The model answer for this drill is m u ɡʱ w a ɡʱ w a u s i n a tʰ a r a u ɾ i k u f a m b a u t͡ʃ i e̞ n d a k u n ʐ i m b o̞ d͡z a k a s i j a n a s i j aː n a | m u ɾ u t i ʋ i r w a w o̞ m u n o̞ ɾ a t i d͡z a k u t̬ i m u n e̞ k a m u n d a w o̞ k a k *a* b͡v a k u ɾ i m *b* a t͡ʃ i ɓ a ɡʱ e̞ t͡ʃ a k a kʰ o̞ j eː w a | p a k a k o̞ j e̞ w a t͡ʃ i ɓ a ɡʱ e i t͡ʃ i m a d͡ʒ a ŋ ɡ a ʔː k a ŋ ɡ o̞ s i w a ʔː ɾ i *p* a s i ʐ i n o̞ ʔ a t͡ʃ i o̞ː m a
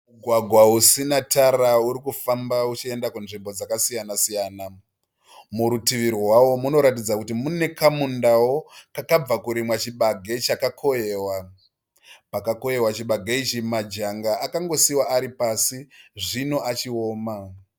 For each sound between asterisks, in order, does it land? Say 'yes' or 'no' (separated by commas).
yes, no, yes